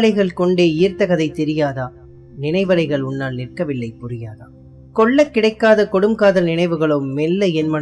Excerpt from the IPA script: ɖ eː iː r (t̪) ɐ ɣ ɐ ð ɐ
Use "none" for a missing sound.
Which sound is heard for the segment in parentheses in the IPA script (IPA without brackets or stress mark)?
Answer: t̪